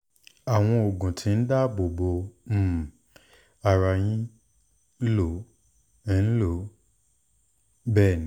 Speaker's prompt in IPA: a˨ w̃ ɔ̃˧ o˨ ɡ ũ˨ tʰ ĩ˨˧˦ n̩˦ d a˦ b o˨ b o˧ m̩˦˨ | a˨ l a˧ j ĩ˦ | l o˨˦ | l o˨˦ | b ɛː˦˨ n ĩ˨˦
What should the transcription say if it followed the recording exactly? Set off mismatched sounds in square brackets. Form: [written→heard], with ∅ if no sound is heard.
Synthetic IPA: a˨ w̃ ɔ̃˧ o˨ ɡ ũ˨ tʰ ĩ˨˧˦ n̩˦ d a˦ b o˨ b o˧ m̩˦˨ | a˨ [l→ɾ] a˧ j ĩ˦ | l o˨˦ | l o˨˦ | b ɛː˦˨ n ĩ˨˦